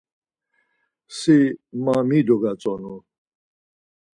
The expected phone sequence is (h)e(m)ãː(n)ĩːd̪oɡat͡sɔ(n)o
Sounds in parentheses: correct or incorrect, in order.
incorrect: s, correct, incorrect: m, correct

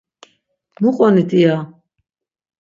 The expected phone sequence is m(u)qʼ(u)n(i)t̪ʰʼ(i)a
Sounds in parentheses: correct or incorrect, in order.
correct, incorrect: ɔ, correct, correct

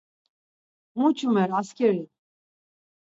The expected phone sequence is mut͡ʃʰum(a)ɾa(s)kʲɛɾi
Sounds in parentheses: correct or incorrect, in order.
incorrect: ɛ, correct

